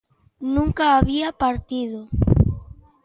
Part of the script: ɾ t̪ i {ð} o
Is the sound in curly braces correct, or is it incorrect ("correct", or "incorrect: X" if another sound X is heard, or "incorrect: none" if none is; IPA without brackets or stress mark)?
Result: correct